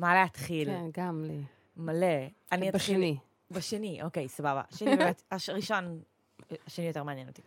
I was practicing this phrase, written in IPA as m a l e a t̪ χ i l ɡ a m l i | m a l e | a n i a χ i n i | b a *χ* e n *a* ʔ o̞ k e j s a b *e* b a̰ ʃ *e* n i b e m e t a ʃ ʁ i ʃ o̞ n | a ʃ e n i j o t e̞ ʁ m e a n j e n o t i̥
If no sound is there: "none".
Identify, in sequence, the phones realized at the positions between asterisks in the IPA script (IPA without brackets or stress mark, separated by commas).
ʃ, i, a, e